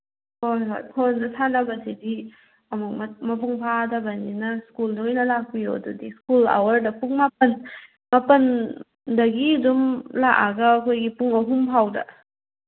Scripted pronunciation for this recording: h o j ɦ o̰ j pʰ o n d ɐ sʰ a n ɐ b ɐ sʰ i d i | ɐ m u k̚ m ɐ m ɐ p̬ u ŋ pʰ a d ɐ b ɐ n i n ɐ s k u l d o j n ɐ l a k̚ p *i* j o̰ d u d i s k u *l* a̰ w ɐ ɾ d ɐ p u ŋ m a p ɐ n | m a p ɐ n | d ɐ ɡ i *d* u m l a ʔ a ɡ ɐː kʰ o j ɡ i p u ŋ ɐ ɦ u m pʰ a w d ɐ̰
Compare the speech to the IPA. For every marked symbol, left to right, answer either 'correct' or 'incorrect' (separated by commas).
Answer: correct, correct, correct